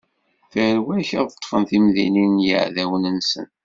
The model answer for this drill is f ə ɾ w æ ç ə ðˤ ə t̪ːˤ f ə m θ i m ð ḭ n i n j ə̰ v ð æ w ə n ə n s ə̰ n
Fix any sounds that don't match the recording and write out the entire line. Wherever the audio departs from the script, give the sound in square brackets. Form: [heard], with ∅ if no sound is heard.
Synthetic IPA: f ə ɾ w æ ç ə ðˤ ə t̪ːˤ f ə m θ i m ð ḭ n i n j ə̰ [ʕ] ð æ w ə n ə n s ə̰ n